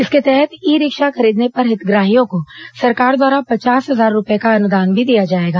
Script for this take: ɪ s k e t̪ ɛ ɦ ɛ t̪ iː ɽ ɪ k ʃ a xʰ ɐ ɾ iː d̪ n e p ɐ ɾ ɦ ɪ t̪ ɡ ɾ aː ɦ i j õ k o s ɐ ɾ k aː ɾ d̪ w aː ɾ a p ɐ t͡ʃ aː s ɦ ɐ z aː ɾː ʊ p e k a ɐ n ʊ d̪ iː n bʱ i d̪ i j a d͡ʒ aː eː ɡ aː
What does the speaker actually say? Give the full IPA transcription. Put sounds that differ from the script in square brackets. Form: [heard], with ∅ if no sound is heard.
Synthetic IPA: ɪ s k e t̪ ɛ ɦ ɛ t̪ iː [ɾ] ɪ k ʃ a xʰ ɐ ɾ iː d̪ n e p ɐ ɾ ɦ ɪ t̪ ɡ ɾ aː ɦ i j õ k o s ɐ ɾ k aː ɾ d̪ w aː ɾ a p ɐ t͡ʃ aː s ɦ ɐ z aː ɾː ʊ p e k a ɐ n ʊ d̪ [aː] n bʱ i d̪ i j a d͡ʒ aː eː ɡ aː